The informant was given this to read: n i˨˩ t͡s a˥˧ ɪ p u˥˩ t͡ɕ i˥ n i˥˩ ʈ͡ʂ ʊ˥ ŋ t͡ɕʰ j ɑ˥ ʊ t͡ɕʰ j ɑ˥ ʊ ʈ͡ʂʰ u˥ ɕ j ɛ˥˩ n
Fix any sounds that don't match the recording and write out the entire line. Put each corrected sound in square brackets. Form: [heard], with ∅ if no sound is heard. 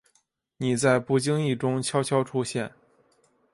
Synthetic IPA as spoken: n i˨˩ t͡s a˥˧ ɪ p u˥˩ t͡ɕ i˥ [ŋ] i˥˩ ʈ͡ʂ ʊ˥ ŋ t͡ɕʰ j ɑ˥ ʊ t͡ɕʰ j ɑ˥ ʊ ʈ͡ʂʰ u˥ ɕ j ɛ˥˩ n